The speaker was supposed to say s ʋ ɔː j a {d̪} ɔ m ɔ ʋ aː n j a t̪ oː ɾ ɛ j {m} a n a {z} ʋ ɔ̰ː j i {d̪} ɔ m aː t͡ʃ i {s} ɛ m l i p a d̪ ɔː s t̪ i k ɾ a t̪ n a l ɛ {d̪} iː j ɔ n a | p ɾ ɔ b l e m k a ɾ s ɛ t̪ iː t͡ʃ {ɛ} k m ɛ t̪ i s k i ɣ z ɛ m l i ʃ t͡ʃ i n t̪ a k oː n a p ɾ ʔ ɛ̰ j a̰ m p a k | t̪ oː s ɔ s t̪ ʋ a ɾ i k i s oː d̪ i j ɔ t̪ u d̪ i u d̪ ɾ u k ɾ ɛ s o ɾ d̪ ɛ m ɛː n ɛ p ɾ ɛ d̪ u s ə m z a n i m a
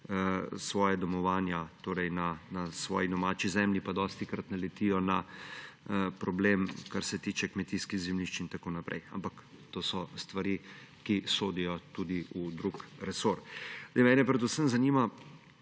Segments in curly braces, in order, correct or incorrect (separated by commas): correct, incorrect, incorrect, correct, incorrect, incorrect, correct